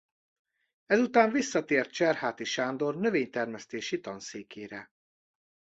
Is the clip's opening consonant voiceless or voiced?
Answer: voiced